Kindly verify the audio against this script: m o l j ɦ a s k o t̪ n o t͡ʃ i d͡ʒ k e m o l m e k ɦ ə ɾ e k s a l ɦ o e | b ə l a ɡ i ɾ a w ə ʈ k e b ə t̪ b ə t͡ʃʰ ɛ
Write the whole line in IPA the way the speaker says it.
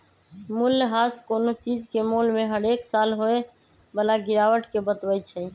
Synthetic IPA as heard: m u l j ɦ a s k o n o t͡ʃ i d͡ʒ k e m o l m e ɦ ə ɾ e k s a l ɦ o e | b ə l a ɡ i ɾ a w ə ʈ k e b ə t̪ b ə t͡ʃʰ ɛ